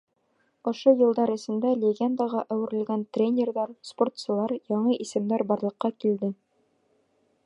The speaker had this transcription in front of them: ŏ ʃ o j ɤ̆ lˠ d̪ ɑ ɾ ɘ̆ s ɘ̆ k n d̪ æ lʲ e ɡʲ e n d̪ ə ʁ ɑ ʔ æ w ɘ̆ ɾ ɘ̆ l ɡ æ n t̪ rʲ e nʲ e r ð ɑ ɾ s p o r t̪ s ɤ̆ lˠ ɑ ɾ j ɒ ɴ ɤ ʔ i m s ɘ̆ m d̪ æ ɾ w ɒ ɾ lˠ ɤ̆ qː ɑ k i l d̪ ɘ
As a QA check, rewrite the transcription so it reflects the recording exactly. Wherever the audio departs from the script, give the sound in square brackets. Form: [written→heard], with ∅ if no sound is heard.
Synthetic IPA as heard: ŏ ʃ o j ɤ̆ lˠ d̪ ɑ ɾ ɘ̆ s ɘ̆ [k→∅] n d̪ æ lʲ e ɡʲ e n d̪ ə ʁ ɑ ʔ æ w ɘ̆ ɾ ɘ̆ l ɡ æ n t̪ rʲ e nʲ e r ð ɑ ɾ s p o r t̪ s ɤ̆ lˠ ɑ ɾ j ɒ ɴ ɤ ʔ i [m→∅] s ɘ̆ m d̪ æ ɾ [w→b] ɒ ɾ lˠ ɤ̆ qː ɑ k i l d̪ ɘ